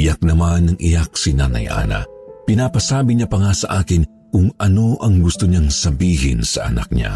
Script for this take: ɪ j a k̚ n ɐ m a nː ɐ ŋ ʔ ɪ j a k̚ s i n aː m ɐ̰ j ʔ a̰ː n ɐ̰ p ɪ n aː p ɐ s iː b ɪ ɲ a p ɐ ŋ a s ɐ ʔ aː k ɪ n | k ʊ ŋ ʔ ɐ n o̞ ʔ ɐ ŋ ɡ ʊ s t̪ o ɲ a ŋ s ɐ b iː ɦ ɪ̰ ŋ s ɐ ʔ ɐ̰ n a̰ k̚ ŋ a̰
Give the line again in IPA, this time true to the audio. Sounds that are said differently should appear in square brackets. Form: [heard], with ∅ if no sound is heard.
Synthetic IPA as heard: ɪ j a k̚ n ɐ m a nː ɐ ŋ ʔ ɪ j a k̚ s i n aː [n] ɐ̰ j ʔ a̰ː n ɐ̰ p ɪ n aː p ɐ s [aː] b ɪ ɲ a p ɐ ŋ a s ɐ ʔ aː k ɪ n | k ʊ ŋ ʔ ɐ n o̞ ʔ ɐ ŋ ɡ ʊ s t̪ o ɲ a ŋ s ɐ b iː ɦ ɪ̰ [n] s ɐ ʔ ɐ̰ n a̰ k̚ [ɲ] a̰